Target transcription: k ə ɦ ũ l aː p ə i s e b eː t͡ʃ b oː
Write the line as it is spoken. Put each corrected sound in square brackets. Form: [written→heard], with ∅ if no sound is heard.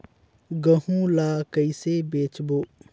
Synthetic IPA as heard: [k→ɡ] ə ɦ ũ l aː [p→k] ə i s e b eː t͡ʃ b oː

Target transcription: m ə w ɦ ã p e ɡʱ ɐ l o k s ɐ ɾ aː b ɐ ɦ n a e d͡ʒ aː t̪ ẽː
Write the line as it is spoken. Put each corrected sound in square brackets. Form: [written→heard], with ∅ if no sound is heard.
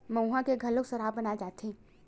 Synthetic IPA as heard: m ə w ɦ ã [p→k] e ɡʱ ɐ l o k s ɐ ɾ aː b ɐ [ɦ→∅] n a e d͡ʒ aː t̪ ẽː

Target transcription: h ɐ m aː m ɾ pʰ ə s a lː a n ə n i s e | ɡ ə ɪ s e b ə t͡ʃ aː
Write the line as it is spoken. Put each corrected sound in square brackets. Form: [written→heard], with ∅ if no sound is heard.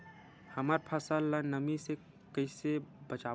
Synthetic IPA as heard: h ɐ m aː [m→∅] ɾ pʰ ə s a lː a n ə [n→m] i s e | [ɡ→k] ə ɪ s e b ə t͡ʃ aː

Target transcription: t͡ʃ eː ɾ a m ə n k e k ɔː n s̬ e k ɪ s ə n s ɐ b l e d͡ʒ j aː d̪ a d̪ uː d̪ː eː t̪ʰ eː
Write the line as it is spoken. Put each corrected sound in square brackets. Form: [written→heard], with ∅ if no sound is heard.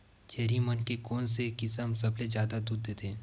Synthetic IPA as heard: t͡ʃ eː ɾ [a→i] m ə n k e k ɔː n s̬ e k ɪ s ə [n→m] s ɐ b l e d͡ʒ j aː d̪ a d̪ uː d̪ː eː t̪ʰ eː

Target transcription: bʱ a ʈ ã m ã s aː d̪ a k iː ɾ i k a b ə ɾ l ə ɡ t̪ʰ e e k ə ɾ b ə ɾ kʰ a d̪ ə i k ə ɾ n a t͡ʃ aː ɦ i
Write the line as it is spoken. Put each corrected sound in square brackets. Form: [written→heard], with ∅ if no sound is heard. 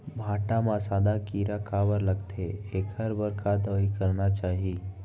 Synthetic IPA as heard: bʱ a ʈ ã m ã s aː d̪ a k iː ɾ [i→a] k a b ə ɾ l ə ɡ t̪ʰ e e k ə ɾ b ə ɾ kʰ a d̪ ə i k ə ɾ n a t͡ʃ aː ɦ i

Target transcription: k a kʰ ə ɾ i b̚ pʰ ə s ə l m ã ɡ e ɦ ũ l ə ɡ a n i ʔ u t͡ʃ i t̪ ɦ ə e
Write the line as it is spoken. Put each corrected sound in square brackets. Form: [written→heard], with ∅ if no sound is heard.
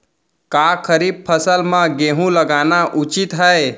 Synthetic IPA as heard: k a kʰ ə ɾ i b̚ pʰ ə s ə l m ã ɡ e ɦ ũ l ə ɡ a n [i→a] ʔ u t͡ʃ i t̪ ɦ ə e

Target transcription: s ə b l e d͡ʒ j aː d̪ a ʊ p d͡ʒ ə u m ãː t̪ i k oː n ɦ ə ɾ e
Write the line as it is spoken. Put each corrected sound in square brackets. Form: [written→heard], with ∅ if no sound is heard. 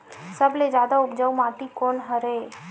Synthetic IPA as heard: s ə b l e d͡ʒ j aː d̪ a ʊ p d͡ʒ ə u m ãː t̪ i k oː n ɦ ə ɾ e

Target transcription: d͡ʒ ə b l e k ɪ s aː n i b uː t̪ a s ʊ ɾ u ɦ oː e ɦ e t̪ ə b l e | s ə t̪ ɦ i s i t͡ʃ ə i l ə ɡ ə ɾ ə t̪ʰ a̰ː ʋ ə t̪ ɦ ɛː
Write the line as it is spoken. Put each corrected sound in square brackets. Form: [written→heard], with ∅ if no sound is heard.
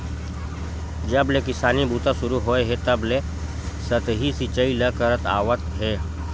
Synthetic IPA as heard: d͡ʒ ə b l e k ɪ s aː n i b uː t̪ a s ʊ ɾ u ɦ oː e ɦ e t̪ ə b l e | s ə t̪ ɦ i s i t͡ʃ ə i l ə [ɡ→k] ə ɾ ə [t̪ʰ→t̪] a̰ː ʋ ə t̪ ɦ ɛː

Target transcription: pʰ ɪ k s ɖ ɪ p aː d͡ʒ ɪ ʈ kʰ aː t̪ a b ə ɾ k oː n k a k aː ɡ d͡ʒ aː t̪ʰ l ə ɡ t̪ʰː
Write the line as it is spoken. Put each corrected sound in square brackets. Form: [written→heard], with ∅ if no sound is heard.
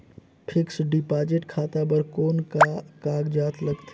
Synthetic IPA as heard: pʰ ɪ k s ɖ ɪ p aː d͡ʒ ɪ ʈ kʰ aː t̪ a b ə ɾ k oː n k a k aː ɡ d͡ʒ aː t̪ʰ l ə ɡ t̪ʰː

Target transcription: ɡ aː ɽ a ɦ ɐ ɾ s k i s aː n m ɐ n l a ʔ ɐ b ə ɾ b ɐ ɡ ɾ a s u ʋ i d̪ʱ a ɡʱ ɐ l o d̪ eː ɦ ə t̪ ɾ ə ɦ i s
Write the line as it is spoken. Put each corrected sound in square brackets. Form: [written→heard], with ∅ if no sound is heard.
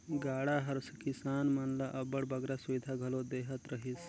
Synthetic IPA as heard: ɡ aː ɽ a ɦ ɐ ɾ s k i s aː n m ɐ n l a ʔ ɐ b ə [ɾ→ɽ] b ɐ ɡ ɾ a s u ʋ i d̪ʱ a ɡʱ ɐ l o d̪ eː ɦ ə t̪ ɾ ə ɦ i s

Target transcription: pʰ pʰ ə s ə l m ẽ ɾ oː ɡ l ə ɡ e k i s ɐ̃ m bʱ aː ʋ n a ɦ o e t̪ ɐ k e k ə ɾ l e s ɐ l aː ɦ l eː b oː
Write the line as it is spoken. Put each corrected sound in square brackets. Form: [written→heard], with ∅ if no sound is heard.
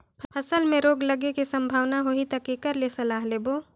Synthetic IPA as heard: pʰ pʰ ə s ə l m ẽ ɾ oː ɡ l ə ɡ e k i s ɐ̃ m bʱ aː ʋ n a ɦ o [e→i] t̪ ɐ k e k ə ɾ l e s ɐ l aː ɦ l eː b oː

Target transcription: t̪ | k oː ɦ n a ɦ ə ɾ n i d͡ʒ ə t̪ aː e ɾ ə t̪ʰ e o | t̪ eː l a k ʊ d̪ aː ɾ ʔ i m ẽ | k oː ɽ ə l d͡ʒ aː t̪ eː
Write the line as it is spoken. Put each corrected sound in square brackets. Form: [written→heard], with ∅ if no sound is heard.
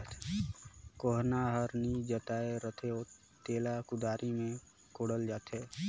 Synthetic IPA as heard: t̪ | k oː ɦ n a ɦ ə ɾ n i d͡ʒ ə t̪ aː e ɾ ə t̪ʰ e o | t̪ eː l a k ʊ d̪ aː ɾ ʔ i m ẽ | k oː ɽ ə l d͡ʒ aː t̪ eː

